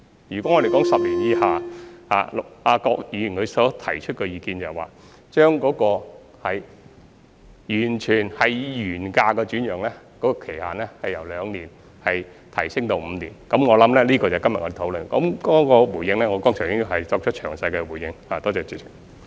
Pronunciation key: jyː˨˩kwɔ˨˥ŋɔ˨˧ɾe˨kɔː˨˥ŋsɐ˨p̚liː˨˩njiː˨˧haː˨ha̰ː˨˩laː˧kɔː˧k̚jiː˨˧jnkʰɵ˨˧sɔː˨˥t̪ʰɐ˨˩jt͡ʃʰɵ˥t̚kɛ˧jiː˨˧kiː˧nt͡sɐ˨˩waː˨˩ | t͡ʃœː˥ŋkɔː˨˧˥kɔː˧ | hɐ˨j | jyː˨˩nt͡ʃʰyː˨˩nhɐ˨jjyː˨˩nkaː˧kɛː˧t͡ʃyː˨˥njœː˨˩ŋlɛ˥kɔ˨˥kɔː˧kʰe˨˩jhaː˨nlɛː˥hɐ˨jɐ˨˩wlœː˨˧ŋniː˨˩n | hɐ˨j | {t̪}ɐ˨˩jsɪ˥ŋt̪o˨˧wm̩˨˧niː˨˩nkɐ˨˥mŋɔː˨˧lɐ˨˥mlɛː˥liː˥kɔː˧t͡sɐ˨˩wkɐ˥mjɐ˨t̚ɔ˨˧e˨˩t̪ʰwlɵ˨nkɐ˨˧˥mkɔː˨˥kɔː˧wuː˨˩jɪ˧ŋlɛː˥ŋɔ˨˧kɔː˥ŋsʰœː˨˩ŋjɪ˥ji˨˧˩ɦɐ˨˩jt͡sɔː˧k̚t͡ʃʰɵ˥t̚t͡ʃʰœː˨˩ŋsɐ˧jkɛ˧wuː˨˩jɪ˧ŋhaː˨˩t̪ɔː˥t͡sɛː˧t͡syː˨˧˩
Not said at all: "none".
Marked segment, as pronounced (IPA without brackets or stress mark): t̪ʰ